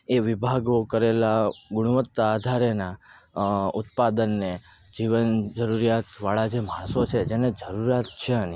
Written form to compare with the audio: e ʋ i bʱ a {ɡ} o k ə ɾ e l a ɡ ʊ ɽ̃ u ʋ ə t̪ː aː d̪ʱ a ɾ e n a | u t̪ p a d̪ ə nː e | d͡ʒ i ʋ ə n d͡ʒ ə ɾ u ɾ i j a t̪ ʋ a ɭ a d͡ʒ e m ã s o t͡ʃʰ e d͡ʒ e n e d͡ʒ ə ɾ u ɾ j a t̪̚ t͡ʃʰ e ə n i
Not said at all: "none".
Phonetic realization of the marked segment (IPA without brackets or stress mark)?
ɡ